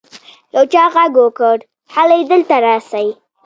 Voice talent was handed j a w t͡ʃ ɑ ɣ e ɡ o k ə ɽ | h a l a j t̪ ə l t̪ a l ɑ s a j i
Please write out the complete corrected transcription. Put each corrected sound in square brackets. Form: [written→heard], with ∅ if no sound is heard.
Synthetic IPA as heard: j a w t͡ʃ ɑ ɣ [e→a] ɡ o k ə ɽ | h a l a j [t̪→d̪] ə l t̪ a [l→ɾ] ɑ s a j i